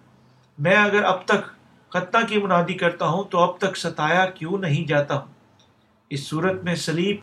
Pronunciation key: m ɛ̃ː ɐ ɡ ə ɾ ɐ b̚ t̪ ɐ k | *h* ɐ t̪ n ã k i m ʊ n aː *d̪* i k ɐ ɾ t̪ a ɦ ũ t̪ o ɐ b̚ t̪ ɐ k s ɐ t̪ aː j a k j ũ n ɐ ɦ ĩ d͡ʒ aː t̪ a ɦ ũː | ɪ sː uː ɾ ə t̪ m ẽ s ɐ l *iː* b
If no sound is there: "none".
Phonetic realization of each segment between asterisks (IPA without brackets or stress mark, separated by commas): x, d̪, iː